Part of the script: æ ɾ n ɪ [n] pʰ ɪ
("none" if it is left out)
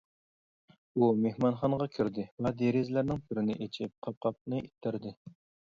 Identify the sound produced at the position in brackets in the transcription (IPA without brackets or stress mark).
ŋ